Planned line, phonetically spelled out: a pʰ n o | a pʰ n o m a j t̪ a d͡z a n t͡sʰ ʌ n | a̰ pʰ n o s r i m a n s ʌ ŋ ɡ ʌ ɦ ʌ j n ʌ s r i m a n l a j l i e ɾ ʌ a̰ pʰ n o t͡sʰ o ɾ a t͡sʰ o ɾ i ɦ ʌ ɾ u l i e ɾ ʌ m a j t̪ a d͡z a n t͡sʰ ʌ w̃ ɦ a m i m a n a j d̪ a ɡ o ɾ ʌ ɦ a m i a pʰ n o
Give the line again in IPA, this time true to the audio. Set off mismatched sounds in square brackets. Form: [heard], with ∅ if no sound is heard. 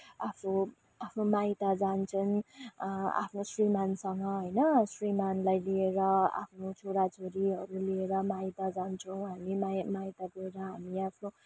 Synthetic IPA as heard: a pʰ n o | a pʰ n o m a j t̪ a d͡z a n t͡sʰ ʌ n | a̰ pʰ n o s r i m a n s ʌ ŋ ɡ ʌ ɦ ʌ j n ʌ s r i m a n l a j l i e ɾ ʌ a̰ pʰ n o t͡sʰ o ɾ a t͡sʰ o ɾ i ɦ ʌ ɾ u l i e ɾ ʌ m a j t̪ a d͡z a n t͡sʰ ʌ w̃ ɦ a m i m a [m] a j [t̪] a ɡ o ɾ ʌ ɦ a m i a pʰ n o

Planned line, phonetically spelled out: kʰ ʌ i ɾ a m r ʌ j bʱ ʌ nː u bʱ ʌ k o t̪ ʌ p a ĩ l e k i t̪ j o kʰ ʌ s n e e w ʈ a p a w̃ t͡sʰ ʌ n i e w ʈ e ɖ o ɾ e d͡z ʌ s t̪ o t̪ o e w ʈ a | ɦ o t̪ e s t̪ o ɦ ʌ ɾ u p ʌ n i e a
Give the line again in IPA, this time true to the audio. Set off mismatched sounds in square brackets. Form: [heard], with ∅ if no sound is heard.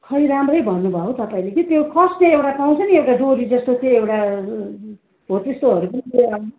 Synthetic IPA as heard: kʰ ʌ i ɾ a m r ʌ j bʱ ʌ nː u bʱ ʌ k o t̪ ʌ p a ĩ l e k i t̪ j o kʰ ʌ s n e e w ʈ a p a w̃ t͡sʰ ʌ n i e w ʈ [a] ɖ o ɾ [i] d͡z ʌ s t̪ o t̪ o e w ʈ a | ɦ o t̪ e s t̪ o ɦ ʌ ɾ u p ʌ n i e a

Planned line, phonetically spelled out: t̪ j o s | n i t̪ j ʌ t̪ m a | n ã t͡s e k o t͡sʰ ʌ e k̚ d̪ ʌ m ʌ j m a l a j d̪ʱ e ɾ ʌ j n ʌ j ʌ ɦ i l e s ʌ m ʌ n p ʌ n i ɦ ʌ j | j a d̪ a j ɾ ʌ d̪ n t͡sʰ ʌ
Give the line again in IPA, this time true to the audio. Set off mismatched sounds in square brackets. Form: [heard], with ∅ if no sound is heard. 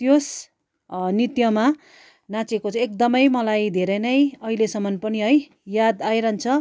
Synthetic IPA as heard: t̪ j o s | n i t̪ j ʌ [∅] m a | n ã t͡s e k o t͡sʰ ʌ e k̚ d̪ ʌ m ʌ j m [ʌ] l a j d̪ʱ e ɾ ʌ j n ʌ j ʌ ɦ i l e s ʌ m ʌ n p ʌ n i ɦ ʌ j | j a d̪ a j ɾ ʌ [∅] n t͡sʰ ʌ

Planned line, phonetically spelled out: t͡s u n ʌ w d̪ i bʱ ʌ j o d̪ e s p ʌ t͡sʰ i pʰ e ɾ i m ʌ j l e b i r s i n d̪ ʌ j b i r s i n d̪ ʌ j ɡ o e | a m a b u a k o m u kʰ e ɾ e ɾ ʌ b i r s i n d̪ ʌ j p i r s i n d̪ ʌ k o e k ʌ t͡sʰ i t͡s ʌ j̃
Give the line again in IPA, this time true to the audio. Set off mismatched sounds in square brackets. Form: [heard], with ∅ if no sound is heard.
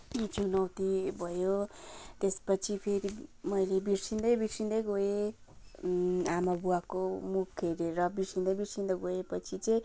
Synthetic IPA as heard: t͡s u n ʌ w [t̪] i bʱ ʌ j o [t̪] e s p ʌ t͡sʰ i pʰ e ɾ i m ʌ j l e b i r s i n d̪ ʌ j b i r s i n d̪ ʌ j ɡ o e | a m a b u a k o m u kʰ e ɾ e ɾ ʌ b i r s i n d̪ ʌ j [b] i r s i n d̪ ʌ [ɡ] o e [p] ʌ t͡sʰ i t͡s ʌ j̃

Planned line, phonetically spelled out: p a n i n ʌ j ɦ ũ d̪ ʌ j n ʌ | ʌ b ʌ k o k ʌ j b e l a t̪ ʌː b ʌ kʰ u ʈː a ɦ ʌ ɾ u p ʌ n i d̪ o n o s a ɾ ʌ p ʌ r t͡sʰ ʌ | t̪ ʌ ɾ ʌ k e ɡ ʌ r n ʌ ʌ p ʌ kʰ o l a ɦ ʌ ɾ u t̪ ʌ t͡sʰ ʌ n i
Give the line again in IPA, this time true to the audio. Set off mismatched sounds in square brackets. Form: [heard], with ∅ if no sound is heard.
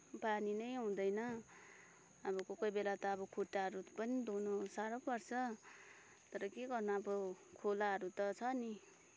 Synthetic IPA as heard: p a n i n ʌ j ɦ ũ d̪ ʌ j n ʌ | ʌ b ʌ k o k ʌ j b e l a t̪ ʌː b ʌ kʰ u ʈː a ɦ ʌ ɾ u p ʌ n i d̪ o n o s a ɾ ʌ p ʌ r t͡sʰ ʌ | t̪ ʌ ɾ ʌ k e ɡ ʌ r n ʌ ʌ [b] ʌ kʰ o l a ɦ ʌ ɾ u t̪ ʌ t͡sʰ ʌ n i

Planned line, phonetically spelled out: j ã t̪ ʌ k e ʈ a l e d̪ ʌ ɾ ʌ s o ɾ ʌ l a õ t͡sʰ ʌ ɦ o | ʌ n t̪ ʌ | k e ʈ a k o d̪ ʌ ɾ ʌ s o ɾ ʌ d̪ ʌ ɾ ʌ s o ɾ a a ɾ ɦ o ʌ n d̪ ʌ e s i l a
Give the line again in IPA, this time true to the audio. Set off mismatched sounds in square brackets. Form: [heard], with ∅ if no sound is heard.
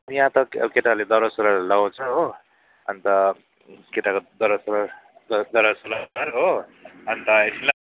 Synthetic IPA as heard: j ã t̪ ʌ k e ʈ a l e d̪ ʌ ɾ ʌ s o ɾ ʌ l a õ t͡sʰ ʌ ɦ o | ʌ n t̪ ʌ | k e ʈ a k o d̪ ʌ ɾ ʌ s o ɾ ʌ d̪ ʌ ɾ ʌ s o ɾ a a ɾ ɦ o ʌ n [t̪] ʌ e s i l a

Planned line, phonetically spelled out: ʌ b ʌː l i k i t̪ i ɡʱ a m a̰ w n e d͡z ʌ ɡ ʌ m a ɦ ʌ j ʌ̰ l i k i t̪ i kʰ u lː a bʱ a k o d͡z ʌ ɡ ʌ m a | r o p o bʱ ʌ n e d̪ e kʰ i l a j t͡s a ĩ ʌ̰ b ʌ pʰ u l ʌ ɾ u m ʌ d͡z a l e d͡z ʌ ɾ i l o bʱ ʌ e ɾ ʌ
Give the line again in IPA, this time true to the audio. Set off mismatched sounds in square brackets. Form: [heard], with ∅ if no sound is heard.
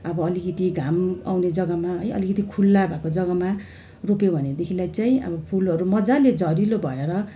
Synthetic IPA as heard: ʌ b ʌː l i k i t̪ i ɡʱ a m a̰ w n e d͡z ʌ ɡ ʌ m a ɦ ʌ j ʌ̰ l i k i t̪ i kʰ u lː a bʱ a k o d͡z ʌ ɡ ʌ m a | r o p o bʱ ʌ n e d̪ e kʰ i l a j t͡s a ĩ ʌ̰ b ʌ pʰ u l ʌ ɾ u m ʌ d͡z a l e d͡z ʌ ɾ i l o bʱ ʌ e ɾ ʌ

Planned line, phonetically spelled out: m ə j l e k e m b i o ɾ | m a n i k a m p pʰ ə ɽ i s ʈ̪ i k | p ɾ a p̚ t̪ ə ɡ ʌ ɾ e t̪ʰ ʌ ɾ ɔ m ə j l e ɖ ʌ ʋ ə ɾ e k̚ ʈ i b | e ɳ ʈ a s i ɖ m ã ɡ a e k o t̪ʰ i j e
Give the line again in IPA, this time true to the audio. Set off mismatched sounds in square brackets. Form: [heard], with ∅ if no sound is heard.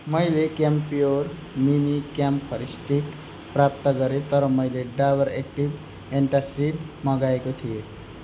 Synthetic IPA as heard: m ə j l e k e m [p] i o ɾ | m [i] n i k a m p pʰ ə [ɾ] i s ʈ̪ i k | p ɾ a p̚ t̪ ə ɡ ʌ ɾ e [t̪] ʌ ɾ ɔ m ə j l e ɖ [a] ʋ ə ɾ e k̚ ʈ i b | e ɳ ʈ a s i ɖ m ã ɡ a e k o t̪ʰ i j e

